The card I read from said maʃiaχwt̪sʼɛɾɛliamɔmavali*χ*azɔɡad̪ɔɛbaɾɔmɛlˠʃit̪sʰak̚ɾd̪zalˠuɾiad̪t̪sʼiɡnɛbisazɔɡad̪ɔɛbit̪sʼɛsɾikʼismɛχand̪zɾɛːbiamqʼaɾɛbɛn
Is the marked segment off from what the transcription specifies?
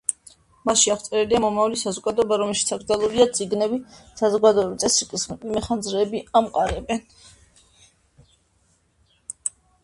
yes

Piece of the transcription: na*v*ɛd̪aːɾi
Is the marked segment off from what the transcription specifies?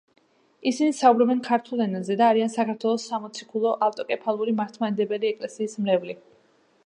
yes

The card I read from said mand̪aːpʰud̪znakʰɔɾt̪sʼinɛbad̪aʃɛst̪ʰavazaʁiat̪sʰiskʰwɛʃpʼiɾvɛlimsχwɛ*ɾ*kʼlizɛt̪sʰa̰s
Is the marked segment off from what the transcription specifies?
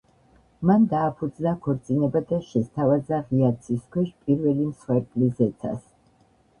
no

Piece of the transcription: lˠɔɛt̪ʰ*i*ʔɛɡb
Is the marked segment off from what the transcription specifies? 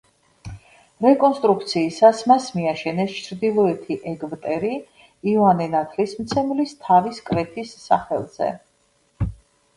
no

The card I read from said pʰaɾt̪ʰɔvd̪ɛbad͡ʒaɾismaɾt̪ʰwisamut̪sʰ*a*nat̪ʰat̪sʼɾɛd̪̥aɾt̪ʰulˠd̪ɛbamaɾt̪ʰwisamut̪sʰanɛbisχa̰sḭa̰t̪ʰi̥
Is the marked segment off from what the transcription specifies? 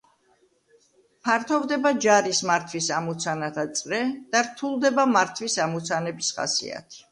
no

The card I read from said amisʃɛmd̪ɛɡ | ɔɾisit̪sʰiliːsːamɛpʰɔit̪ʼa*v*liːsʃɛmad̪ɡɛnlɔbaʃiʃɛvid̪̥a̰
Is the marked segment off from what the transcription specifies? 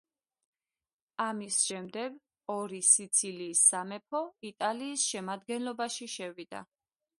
yes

